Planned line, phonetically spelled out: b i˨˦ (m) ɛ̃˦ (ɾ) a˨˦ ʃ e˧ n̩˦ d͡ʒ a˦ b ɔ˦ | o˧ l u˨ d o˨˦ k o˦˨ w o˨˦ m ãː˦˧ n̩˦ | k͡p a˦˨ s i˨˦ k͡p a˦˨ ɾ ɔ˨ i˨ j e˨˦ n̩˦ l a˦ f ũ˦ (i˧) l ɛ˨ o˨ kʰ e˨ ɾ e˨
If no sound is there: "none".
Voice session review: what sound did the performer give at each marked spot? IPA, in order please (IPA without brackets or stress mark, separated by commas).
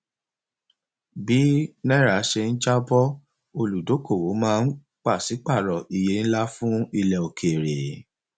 n, ɾ, i˧